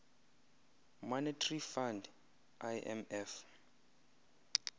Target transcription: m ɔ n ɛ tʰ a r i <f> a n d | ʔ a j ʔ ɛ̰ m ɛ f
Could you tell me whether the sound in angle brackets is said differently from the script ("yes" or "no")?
no